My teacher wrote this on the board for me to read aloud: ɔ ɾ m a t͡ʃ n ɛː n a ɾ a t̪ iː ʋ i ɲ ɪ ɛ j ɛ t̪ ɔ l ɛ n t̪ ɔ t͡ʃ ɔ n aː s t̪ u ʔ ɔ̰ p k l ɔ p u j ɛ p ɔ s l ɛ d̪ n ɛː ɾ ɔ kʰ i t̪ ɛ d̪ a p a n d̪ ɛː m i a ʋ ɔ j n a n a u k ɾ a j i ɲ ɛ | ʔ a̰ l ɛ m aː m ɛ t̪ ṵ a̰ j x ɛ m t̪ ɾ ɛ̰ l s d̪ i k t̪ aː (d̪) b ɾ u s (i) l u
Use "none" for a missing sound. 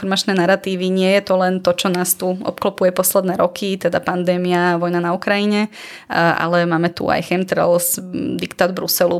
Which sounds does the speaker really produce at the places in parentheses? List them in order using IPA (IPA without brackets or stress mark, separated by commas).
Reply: d̪, ɛ